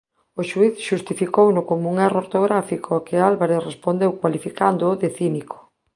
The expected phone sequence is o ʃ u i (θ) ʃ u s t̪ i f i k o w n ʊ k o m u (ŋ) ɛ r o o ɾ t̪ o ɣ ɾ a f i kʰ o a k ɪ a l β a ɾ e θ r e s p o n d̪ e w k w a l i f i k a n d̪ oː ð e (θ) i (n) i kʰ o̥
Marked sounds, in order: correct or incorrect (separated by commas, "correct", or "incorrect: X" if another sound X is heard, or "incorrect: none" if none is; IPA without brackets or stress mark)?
correct, correct, correct, correct